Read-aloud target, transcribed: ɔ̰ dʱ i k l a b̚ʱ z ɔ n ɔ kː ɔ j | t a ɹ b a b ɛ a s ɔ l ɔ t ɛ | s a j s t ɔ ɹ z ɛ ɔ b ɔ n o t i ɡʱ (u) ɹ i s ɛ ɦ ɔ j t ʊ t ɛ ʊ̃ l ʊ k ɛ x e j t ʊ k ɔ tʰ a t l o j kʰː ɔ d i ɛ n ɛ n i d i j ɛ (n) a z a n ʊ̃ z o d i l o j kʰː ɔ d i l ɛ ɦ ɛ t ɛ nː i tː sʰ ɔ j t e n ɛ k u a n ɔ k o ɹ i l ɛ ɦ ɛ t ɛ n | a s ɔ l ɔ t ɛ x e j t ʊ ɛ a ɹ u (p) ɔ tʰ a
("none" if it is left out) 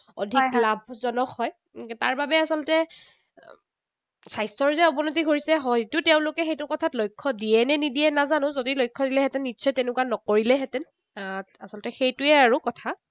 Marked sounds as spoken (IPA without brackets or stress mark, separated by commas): o, n, k